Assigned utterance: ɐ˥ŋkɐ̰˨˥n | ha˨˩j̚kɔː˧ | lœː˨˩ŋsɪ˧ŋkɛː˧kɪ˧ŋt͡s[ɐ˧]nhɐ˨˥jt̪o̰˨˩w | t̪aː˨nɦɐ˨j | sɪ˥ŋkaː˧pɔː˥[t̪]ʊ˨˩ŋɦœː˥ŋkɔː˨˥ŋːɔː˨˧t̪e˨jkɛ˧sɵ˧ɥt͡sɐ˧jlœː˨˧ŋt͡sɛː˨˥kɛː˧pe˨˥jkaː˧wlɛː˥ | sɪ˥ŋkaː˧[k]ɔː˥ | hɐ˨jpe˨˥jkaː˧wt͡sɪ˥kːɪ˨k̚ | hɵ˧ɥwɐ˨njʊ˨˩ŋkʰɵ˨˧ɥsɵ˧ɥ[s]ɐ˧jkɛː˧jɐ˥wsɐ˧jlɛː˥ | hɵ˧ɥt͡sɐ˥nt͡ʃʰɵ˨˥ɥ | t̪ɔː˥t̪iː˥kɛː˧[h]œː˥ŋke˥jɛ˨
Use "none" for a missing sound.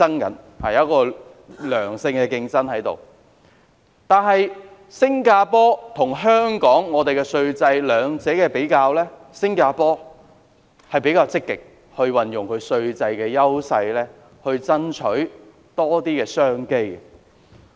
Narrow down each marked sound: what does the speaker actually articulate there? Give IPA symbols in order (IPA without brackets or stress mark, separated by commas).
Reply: ɐ˥, t̪ʰ, p, t͡s, s